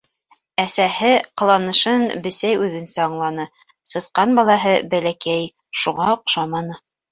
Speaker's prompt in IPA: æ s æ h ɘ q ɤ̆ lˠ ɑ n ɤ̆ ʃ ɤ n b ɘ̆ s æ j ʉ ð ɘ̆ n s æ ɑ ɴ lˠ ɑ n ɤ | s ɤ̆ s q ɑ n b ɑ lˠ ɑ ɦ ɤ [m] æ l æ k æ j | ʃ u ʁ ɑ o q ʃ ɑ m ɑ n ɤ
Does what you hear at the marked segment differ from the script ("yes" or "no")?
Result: yes